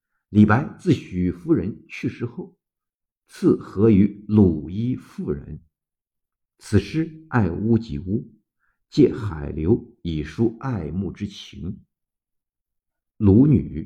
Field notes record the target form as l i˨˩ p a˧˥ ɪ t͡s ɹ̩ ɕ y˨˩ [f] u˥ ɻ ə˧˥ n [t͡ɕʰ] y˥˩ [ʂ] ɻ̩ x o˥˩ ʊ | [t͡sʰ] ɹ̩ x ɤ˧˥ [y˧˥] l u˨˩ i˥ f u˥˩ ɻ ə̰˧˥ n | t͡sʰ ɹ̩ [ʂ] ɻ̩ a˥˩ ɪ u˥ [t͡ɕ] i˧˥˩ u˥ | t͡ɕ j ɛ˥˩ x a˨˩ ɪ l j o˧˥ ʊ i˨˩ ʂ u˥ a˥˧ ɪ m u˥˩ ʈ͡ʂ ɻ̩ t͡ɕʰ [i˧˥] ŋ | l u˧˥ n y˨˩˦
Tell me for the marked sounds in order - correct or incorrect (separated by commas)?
correct, correct, correct, correct, correct, correct, correct, correct